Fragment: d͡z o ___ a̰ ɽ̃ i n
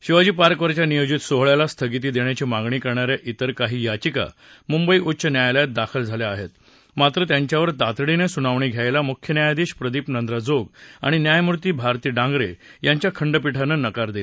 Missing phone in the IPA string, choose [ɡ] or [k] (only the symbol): ɡ